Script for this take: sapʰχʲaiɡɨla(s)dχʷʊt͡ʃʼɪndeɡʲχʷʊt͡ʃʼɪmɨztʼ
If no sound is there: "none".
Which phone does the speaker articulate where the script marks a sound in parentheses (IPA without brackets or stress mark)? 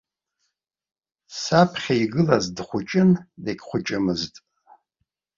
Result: z